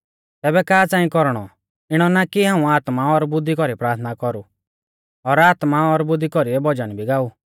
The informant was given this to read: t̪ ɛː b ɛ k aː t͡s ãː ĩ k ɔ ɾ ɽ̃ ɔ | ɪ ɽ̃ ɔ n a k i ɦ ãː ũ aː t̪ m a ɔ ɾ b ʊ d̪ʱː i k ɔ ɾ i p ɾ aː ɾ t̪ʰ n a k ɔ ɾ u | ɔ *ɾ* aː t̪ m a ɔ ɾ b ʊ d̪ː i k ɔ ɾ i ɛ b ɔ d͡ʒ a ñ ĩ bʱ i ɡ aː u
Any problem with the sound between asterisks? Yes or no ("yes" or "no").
no